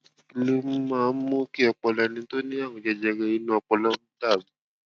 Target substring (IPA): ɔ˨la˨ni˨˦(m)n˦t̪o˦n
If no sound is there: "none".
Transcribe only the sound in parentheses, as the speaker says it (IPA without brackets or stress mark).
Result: none